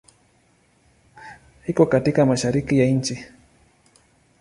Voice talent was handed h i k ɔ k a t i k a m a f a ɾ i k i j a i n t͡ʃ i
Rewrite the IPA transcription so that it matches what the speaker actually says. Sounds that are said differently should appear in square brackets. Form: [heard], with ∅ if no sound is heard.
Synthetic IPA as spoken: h i k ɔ k a t i k a m a [ʃ] a ɾ i k i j a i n t͡ʃ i